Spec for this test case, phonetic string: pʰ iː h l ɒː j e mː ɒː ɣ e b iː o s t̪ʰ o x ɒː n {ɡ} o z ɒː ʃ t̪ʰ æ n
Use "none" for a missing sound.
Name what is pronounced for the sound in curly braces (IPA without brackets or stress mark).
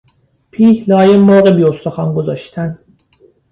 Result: ɡ